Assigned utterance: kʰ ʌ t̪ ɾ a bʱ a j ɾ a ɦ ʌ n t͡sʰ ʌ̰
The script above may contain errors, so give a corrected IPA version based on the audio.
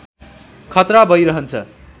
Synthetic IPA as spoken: kʰ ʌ t̪ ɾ a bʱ ʌ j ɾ ʌ ɦ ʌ n t͡sʰ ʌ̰